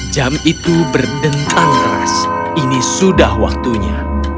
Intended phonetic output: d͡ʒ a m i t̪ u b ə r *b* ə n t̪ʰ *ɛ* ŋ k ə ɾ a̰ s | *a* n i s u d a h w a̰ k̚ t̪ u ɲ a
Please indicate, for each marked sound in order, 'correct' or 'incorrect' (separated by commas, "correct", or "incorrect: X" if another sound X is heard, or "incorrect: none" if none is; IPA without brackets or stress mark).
incorrect: d, incorrect: a, incorrect: i